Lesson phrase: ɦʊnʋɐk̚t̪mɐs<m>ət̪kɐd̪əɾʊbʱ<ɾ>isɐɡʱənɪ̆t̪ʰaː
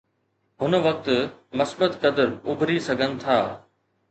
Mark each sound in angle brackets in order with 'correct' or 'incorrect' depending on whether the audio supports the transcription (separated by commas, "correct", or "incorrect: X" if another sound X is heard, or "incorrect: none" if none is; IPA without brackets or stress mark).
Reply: incorrect: b, correct